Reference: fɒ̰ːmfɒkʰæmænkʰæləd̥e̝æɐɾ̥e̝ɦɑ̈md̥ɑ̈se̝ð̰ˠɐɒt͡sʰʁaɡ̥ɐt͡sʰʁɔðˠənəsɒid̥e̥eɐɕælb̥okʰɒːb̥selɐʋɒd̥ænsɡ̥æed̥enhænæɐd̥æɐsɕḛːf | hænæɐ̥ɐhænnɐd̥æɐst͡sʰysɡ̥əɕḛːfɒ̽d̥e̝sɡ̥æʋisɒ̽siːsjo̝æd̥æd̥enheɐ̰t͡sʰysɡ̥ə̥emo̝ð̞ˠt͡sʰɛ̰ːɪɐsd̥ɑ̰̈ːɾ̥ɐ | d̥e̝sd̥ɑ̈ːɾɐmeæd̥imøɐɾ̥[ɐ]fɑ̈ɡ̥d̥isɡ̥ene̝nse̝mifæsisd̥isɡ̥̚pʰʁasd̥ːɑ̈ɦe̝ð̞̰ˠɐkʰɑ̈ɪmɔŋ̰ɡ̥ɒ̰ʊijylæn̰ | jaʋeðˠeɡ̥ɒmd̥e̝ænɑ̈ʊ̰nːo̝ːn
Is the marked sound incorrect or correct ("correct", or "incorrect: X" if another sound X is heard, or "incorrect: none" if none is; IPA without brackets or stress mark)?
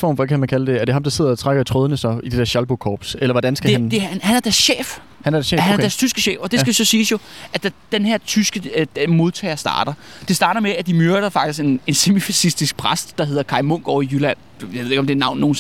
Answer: correct